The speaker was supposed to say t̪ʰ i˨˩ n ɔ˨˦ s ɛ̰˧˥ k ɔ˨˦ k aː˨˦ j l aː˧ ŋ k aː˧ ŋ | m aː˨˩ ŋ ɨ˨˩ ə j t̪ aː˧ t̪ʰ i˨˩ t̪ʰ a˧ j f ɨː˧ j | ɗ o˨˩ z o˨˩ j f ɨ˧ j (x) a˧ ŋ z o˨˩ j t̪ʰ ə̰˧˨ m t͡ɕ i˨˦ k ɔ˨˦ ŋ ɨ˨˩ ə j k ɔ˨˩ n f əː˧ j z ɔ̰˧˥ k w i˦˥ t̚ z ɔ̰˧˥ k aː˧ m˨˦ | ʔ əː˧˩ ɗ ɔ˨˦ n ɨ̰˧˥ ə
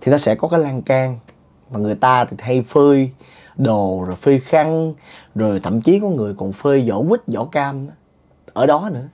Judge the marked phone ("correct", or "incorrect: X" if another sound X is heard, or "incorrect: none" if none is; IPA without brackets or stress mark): correct